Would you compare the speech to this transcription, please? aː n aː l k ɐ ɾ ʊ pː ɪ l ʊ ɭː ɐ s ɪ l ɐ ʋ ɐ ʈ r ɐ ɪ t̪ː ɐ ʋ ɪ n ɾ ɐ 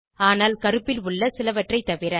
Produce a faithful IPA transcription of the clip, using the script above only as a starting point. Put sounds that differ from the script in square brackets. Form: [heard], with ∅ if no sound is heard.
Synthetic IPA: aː n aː l k ɐ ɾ [ɯ] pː ɪ l ʊ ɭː ɐ s ɪ l ɐ ʋ ɐ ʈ r ɐ ɪ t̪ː ɐ ʋ ɪ [∅] ɾ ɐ